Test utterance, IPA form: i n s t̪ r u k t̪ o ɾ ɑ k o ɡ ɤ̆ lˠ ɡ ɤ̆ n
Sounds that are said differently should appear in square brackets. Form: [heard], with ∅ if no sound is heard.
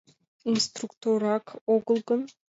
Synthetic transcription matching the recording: i n s t̪ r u k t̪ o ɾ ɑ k o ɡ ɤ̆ lˠ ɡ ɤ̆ n